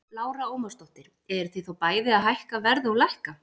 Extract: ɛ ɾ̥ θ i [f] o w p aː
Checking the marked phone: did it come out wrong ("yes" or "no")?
yes